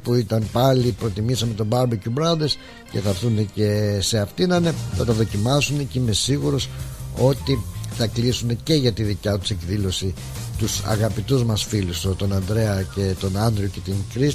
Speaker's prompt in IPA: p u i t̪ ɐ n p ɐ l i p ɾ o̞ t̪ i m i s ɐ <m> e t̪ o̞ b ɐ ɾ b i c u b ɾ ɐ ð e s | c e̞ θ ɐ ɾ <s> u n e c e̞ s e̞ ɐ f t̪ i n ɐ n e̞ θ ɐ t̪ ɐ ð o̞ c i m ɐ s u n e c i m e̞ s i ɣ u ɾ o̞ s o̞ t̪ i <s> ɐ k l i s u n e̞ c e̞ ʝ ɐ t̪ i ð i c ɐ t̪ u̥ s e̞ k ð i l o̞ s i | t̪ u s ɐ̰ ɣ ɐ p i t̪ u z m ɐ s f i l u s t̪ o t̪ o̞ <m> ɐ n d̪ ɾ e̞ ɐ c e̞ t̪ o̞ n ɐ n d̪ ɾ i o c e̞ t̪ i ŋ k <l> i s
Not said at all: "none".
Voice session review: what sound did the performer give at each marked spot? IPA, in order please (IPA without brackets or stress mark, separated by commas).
m, θ, θ, n, ɾ